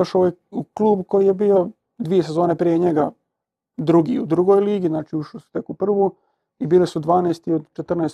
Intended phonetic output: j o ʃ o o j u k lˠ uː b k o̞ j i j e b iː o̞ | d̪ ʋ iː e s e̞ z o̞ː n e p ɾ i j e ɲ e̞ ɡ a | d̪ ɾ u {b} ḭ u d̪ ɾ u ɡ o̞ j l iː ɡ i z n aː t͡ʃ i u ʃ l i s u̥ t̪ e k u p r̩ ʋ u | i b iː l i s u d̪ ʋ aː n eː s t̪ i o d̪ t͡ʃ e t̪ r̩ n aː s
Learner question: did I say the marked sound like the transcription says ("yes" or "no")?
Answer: no